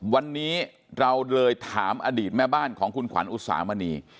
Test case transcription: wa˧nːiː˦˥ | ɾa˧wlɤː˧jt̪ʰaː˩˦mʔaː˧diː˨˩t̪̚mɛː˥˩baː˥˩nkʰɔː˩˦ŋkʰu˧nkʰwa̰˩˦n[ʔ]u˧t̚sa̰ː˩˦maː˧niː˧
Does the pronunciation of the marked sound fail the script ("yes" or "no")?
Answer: no